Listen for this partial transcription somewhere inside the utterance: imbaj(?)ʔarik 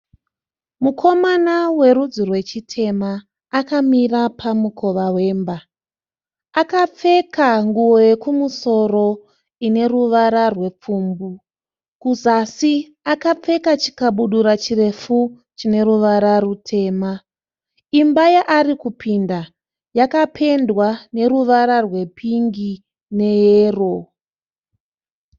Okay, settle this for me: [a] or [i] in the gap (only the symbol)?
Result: a